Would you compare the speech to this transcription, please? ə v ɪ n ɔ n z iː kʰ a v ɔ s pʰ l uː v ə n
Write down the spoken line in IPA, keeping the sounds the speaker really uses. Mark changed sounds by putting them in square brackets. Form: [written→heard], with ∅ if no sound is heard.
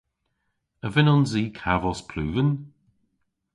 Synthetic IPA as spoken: ə v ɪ n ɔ n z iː kʰ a v ɔ s pʰ l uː v ə n